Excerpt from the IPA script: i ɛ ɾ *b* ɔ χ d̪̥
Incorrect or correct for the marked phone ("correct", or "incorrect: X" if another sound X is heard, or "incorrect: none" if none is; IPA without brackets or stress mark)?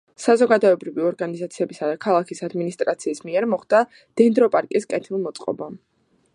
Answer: incorrect: m